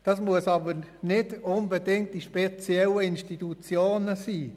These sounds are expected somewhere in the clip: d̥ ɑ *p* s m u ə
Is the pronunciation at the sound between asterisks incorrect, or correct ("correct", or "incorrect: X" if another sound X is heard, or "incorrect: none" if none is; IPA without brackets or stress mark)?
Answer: incorrect: none